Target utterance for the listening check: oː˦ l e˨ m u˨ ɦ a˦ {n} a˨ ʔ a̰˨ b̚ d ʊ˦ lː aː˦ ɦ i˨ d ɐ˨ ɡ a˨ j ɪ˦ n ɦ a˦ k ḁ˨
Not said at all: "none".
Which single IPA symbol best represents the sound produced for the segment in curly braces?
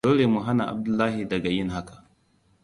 n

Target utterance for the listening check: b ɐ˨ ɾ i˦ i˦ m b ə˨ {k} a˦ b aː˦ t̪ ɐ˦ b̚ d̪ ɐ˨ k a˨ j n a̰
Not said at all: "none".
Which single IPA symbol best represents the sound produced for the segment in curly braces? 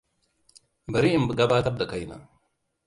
ɡ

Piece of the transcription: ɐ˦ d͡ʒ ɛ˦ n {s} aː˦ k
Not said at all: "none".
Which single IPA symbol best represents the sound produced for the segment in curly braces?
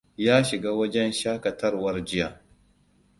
ʃ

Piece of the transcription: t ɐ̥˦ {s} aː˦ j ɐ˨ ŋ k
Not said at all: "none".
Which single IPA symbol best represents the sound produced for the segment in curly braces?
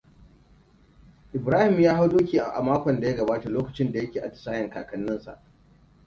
s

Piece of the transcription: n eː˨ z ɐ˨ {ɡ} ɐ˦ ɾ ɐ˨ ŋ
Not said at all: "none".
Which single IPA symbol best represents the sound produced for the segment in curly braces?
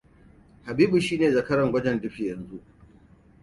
k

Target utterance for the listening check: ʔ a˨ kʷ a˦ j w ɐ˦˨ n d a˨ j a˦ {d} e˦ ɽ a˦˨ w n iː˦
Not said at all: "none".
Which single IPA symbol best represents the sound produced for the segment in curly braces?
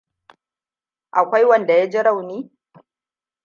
d͡ʒ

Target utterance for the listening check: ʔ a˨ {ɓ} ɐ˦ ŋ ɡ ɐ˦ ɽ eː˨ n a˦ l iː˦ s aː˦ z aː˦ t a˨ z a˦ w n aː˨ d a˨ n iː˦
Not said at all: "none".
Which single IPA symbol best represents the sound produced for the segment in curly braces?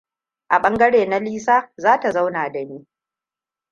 ɓ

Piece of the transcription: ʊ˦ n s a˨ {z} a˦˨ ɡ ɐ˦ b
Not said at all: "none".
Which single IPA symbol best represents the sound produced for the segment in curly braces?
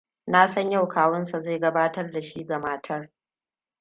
z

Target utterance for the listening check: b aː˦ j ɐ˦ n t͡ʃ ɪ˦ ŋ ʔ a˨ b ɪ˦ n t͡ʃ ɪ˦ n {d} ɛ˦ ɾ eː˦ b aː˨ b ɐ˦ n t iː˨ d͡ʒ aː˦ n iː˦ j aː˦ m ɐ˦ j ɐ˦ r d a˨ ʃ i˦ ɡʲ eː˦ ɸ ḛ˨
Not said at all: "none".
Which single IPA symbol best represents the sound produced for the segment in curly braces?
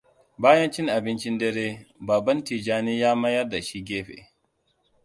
d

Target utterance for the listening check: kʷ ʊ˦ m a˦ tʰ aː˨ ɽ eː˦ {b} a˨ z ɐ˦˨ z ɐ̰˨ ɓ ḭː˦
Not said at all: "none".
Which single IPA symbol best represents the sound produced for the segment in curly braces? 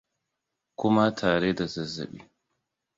d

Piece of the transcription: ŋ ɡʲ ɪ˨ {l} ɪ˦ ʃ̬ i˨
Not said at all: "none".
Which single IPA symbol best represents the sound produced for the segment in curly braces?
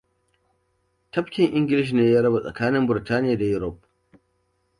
l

